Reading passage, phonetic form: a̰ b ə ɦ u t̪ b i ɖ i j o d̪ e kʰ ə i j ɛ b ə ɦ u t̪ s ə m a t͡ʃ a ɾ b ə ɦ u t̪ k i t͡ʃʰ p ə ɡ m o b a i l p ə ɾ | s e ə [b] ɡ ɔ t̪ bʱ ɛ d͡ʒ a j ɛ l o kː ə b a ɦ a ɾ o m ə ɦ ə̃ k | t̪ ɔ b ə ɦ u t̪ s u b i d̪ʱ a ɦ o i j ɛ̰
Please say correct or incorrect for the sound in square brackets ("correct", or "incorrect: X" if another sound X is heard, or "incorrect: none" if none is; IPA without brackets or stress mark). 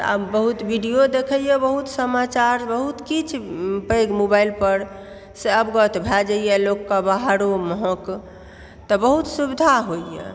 correct